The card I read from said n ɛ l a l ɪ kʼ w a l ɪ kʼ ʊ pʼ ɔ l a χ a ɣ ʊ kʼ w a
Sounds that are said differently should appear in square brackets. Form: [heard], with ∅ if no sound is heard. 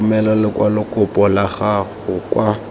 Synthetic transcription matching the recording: [m] ɛ l a l ɪ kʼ w a l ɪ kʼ ʊ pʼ ɔ l a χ a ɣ ʊ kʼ w a

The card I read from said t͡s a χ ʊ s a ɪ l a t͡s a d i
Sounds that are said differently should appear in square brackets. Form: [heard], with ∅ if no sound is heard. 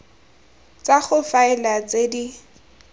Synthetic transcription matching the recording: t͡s a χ ʊ [f] a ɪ l a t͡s [e] d i

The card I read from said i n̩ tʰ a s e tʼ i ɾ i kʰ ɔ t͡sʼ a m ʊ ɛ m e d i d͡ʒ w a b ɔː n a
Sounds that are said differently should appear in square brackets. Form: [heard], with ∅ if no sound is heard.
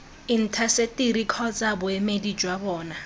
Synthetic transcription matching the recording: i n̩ tʰ a s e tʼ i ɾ i kʰ ɔ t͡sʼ a [b] ʊ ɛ m e d i d͡ʒ w a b ɔː n a

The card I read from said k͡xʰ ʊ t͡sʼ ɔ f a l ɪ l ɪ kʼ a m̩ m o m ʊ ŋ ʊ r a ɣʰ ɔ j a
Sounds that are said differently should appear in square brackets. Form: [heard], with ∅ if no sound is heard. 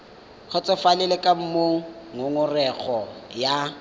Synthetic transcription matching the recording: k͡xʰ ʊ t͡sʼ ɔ f a l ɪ l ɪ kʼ a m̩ m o [ŋ] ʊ ŋ ʊ r [ɛ] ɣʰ ɔ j a

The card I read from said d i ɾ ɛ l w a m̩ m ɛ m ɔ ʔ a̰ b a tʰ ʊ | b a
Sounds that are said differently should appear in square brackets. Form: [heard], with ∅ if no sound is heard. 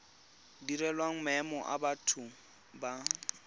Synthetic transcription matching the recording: d i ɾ ɛ l w a [ŋ̩] m ɛ m ɔ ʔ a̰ b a tʰ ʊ | b a

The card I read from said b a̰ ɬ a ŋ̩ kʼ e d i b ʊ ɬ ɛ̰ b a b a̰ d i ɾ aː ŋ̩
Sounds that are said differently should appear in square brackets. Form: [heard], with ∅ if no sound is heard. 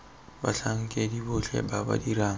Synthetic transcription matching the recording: b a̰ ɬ a ŋ̩ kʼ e d i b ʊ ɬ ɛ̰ b a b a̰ d i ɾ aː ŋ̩

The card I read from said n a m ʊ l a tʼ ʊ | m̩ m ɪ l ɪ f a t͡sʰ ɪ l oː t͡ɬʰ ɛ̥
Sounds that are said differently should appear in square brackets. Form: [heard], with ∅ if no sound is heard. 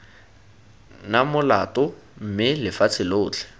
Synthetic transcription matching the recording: n a m ʊ l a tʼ ʊ | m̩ m ɪ l ɪ f a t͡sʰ ɪ l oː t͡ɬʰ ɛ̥

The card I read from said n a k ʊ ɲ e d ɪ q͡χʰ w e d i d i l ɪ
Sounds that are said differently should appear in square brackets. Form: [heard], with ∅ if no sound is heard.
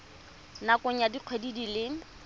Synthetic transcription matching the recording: n a k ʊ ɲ [a] d [i] q͡χʰ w e d i d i l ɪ

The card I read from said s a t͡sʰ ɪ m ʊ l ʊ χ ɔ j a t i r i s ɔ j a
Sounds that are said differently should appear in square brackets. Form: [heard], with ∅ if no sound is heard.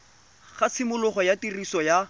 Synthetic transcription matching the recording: [χ] a t͡sʰ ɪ m ʊ l ʊ χ ɔ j a t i r i s ɔ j a

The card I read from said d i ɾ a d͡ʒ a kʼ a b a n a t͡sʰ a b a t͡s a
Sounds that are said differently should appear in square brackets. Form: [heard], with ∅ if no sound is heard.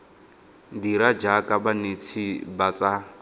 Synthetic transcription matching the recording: d i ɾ a d͡ʒ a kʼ a b a n [e] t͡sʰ [i] b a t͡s a

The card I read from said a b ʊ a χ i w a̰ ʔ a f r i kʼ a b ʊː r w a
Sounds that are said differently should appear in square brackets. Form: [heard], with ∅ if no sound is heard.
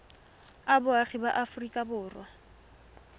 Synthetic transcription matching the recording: a b ʊ a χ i [b] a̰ ʔ a f r i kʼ a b ʊː r w a

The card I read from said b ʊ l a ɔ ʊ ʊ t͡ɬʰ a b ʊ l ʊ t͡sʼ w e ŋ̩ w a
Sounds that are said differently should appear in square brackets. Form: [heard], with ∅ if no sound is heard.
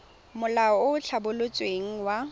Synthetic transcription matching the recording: [m] ʊ l a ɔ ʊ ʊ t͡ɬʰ a b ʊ l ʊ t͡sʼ w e ŋ̩ w a

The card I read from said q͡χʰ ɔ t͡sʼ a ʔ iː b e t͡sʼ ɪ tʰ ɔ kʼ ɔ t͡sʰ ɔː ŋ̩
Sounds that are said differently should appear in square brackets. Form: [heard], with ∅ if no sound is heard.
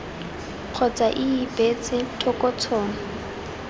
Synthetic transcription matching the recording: q͡χʰ ɔ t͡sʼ a ʔ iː b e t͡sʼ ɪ tʰ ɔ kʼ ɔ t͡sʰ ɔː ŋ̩

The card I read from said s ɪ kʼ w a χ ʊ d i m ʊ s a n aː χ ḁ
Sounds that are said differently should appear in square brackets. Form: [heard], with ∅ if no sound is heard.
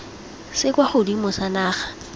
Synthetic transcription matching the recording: s ɪ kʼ w a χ ʊ d i m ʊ s a n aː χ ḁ

